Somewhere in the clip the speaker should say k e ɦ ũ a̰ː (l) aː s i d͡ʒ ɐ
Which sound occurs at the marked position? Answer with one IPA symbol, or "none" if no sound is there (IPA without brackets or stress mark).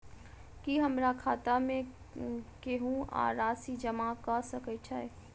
ɾ